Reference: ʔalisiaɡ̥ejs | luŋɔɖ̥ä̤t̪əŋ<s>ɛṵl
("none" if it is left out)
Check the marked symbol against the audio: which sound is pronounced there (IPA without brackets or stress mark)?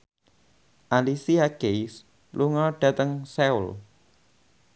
s